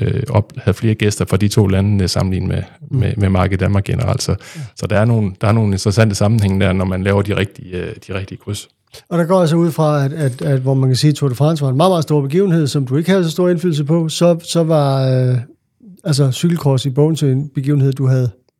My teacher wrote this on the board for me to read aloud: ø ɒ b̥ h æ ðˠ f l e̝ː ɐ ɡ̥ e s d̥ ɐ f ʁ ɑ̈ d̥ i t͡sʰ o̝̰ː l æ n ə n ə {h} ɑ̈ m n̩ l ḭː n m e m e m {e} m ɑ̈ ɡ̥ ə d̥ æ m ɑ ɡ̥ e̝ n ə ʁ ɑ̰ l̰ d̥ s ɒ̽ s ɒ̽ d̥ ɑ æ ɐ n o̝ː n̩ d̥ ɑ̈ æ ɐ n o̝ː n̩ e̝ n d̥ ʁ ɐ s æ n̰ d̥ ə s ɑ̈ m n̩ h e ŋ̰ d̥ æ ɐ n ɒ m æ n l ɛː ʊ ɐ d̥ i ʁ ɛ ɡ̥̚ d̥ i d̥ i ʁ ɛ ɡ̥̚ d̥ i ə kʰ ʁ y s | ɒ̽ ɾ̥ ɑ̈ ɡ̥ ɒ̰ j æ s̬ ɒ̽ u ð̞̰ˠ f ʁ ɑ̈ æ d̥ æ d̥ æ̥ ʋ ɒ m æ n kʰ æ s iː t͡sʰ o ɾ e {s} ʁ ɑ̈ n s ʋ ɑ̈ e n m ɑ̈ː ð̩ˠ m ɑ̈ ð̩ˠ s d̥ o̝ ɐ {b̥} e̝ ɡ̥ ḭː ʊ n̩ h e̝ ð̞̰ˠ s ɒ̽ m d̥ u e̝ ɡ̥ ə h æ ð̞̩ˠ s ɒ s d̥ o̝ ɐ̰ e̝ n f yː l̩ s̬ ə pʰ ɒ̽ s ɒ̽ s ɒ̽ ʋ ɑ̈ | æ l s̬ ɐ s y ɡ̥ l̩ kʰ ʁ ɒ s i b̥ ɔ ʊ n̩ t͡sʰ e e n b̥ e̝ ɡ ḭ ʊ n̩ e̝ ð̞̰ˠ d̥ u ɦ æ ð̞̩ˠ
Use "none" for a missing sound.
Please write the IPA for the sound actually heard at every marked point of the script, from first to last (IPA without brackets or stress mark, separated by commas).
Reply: s, e, f, b̥